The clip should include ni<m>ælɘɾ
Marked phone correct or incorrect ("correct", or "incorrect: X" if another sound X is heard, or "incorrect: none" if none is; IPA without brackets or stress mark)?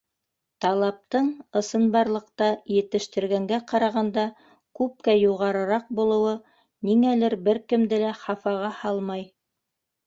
incorrect: ŋ